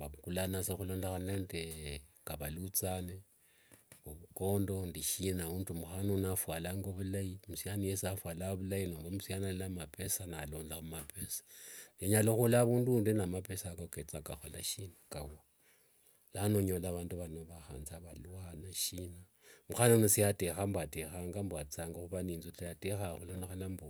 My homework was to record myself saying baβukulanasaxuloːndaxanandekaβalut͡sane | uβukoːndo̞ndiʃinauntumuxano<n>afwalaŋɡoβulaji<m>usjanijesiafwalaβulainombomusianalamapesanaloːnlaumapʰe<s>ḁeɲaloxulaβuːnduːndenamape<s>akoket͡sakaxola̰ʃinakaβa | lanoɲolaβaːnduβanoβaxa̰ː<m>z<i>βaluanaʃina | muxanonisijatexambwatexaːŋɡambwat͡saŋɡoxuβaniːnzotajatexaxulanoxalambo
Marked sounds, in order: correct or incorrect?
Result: correct, correct, correct, correct, incorrect: n, incorrect: a

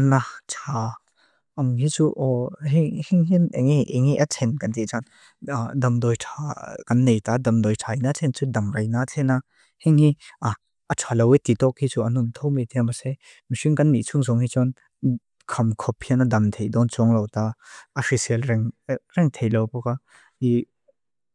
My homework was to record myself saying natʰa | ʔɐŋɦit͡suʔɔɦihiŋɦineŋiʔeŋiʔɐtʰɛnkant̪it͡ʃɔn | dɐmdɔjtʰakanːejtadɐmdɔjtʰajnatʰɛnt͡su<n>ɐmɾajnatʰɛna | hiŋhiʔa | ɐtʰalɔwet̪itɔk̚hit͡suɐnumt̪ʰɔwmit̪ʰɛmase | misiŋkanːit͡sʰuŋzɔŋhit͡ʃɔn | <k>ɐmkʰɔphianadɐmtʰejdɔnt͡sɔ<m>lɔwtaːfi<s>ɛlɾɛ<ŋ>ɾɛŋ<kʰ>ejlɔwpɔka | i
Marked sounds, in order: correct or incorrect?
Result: incorrect: d, incorrect: kʰ, incorrect: ŋ, correct, correct, incorrect: tʰ

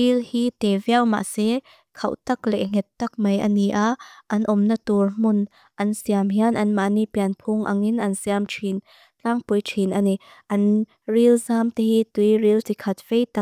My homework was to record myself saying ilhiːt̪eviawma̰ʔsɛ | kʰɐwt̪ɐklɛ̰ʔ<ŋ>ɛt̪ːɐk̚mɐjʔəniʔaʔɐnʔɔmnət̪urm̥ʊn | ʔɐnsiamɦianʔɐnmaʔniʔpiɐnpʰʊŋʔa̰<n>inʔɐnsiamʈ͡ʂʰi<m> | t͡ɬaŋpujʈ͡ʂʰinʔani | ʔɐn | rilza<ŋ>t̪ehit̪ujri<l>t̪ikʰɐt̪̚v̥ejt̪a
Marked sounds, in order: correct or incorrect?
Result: correct, incorrect: ŋ, incorrect: n, incorrect: m, correct

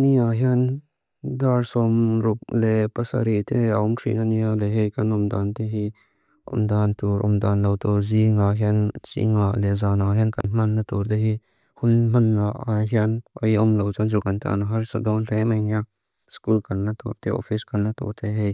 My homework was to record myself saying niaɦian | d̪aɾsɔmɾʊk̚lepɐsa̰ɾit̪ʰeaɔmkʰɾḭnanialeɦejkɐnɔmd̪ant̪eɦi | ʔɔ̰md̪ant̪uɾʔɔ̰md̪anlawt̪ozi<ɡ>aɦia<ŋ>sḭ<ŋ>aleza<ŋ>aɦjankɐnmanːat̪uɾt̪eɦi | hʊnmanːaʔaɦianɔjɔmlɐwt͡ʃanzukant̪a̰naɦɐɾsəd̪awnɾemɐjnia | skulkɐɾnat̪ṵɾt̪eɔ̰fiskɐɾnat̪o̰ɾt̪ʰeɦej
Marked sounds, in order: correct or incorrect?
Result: incorrect: ŋ, incorrect: n, correct, incorrect: n

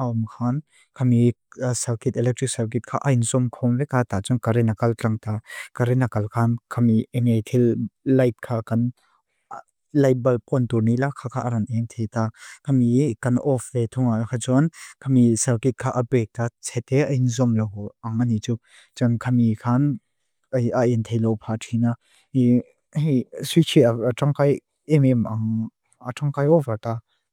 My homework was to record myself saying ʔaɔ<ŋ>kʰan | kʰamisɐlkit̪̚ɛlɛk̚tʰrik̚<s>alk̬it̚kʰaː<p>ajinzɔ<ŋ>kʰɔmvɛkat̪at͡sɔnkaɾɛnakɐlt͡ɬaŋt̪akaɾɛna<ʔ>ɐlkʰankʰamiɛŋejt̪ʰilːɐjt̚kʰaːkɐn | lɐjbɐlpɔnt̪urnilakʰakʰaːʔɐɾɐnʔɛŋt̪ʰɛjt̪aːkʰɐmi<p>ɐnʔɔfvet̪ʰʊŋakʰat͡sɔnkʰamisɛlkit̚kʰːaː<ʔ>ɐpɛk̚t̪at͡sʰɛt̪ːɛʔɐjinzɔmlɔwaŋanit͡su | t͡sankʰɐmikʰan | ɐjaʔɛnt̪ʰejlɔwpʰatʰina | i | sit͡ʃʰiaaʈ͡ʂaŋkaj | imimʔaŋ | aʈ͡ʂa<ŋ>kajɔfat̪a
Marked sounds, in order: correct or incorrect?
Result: incorrect: m, correct, incorrect: ʔ, incorrect: m, incorrect: k, incorrect: k, correct, correct

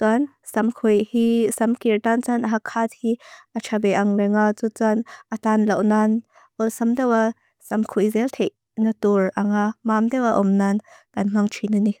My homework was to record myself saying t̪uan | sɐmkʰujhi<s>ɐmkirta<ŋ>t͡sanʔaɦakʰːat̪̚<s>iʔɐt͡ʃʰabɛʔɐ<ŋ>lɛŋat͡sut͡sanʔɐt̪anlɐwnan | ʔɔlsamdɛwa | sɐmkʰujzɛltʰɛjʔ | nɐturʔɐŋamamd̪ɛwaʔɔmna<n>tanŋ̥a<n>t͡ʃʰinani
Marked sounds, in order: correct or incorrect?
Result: correct, incorrect: n, incorrect: h, correct, correct, incorrect: ŋ

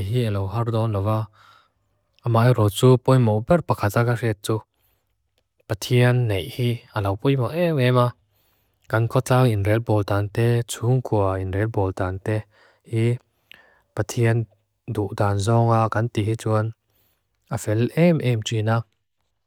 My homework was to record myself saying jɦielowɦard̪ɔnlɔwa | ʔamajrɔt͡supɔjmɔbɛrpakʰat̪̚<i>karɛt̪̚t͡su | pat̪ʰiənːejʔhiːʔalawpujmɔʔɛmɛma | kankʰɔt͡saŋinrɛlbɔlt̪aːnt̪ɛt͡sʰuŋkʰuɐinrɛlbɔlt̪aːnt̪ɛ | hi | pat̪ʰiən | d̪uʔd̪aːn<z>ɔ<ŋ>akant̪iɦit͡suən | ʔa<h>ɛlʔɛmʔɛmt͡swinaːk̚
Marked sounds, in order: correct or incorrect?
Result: incorrect: a, correct, correct, incorrect: f

